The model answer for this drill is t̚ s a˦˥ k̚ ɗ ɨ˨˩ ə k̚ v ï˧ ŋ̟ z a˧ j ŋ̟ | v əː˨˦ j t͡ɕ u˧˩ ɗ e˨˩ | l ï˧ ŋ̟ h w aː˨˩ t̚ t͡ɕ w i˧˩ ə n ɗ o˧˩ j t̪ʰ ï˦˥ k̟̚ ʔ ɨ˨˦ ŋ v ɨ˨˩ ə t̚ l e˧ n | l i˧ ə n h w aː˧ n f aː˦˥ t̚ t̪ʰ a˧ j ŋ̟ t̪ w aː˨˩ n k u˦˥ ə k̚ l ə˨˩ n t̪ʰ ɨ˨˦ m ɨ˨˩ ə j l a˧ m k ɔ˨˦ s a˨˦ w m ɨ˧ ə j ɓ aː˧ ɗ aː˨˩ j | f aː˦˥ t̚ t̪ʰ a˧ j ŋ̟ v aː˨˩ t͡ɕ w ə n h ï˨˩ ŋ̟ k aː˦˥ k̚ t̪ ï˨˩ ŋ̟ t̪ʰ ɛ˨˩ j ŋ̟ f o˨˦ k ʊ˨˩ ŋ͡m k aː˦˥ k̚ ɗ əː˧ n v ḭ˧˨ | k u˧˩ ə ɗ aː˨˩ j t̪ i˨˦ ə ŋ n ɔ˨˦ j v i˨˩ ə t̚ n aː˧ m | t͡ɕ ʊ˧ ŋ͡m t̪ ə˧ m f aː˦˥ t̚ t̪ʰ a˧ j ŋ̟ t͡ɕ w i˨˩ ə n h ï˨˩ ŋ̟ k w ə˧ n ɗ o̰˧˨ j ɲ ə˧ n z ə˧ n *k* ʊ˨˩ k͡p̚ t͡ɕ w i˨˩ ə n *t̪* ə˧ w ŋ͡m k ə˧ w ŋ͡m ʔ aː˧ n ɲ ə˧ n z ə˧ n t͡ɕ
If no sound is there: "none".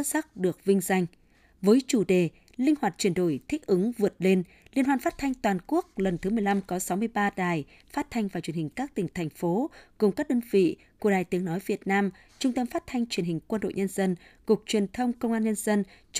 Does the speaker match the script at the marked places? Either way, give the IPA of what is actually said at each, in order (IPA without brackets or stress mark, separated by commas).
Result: k, t̪ʰ